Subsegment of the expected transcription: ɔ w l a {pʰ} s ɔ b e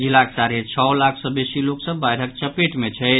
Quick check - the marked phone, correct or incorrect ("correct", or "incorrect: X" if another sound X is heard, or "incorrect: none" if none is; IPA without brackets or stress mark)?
incorrect: kʰ